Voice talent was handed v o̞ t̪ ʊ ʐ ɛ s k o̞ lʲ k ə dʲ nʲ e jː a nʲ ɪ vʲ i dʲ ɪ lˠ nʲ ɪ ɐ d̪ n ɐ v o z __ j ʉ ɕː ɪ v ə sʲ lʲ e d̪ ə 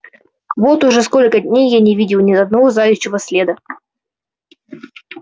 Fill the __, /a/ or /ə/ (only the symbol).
a